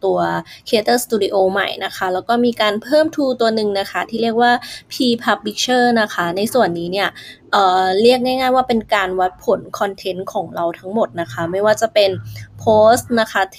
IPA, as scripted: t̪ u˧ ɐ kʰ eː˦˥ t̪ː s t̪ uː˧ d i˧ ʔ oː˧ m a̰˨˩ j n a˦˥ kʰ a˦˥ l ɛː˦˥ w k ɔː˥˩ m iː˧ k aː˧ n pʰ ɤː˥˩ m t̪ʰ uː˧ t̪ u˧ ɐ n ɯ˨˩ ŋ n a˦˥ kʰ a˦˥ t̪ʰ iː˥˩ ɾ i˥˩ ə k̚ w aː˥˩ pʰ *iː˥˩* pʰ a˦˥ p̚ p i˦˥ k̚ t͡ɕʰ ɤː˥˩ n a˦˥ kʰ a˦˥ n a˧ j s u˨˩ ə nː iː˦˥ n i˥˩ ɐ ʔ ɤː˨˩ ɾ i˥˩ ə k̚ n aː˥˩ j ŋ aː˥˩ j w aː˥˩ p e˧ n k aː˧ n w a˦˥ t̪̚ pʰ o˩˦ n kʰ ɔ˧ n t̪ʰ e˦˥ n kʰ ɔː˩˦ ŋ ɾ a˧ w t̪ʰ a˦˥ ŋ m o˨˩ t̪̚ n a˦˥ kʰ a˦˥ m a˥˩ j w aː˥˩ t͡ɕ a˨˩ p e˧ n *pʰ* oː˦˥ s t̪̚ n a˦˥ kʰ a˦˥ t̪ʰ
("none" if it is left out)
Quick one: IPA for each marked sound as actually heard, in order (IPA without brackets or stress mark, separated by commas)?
iː˧, pʰ